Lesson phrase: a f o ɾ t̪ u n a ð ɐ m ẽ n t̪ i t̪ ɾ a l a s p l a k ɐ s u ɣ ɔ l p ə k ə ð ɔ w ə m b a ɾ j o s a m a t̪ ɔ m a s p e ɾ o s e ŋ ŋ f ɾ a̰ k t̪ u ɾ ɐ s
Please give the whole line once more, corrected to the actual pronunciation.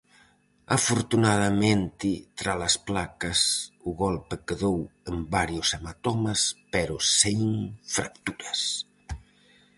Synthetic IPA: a f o ɾ t̪ u n a ð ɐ m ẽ n t̪ i t̪ ɾ a l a s p l a k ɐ s u ɣ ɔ l p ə k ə ð o w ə m b a ɾ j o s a m a t̪ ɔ m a s p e ɾ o s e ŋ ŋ f ɾ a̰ k t̪ u ɾ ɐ s